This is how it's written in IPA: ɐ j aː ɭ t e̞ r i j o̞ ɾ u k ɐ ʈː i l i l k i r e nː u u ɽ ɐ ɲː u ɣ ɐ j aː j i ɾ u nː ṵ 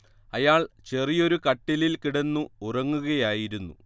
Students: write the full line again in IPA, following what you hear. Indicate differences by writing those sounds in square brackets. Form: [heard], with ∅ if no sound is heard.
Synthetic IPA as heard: ɐ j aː ɭ [t͡ɕ] e̞ r i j o̞ ɾ u k ɐ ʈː i l i l k i [ɽ] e nː u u [r] ɐ [ŋː] u ɣ ɐ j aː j i ɾ u nː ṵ